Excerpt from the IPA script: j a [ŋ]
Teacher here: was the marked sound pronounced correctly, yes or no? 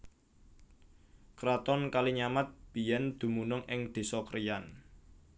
no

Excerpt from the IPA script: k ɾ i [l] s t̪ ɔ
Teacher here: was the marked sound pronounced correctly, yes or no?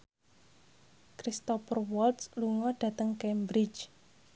no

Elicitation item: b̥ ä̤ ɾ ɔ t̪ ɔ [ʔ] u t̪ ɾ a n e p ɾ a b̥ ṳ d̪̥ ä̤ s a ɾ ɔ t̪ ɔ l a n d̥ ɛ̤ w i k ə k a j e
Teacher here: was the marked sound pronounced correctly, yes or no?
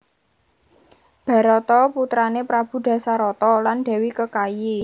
no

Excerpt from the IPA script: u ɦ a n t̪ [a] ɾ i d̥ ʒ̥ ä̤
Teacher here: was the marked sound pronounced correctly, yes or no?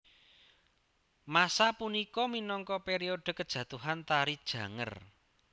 yes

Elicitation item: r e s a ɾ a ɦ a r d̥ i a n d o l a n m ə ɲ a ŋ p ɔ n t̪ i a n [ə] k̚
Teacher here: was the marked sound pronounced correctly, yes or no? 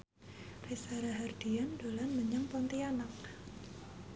no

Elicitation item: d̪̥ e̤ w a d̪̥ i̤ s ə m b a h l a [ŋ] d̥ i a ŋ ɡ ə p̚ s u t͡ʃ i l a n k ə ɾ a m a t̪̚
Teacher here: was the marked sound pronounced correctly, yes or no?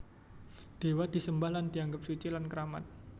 no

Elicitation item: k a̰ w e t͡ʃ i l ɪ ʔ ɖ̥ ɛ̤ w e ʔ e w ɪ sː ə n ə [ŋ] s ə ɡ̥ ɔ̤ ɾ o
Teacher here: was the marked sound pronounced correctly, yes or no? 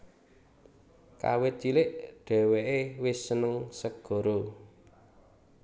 yes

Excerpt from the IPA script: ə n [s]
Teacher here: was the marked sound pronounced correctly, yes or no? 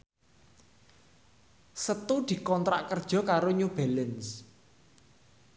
yes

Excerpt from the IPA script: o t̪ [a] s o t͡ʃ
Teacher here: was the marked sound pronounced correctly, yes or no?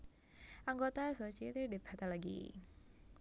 yes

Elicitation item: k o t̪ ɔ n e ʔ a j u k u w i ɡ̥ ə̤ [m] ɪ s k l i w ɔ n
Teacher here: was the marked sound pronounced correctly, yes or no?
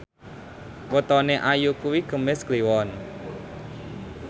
yes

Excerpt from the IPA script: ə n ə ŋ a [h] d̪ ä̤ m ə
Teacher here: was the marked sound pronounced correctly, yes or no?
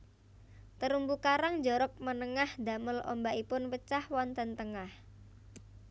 yes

